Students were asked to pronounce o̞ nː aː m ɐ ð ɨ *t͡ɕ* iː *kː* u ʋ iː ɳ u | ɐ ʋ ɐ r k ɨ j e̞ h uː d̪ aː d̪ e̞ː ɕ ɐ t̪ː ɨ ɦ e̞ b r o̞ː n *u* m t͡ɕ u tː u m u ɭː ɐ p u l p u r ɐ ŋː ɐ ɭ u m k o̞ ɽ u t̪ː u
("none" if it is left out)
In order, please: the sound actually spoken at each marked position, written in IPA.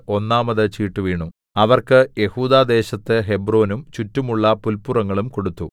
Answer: t͡ɕ, ʈː, u

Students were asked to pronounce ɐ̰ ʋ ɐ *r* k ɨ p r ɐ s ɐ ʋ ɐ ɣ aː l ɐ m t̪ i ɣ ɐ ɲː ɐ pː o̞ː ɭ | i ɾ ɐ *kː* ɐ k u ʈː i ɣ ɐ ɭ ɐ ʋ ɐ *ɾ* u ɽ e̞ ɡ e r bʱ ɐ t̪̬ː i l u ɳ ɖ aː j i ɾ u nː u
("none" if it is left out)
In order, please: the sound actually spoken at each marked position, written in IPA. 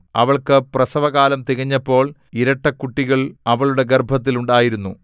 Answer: ɭ, ʈː, ɭ

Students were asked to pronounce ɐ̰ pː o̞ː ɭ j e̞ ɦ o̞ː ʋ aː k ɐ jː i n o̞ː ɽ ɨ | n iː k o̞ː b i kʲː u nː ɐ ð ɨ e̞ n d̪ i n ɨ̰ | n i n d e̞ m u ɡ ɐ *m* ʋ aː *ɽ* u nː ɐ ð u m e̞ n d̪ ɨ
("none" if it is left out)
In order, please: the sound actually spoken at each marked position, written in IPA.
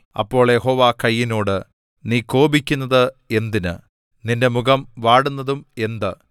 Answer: m, ɽ

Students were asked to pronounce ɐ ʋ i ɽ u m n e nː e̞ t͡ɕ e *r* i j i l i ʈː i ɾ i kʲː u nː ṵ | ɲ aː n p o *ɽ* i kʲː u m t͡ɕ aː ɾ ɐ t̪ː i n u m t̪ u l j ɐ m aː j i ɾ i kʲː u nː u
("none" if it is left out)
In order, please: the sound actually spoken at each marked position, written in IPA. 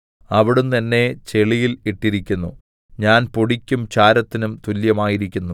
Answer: ɭ, ɽ

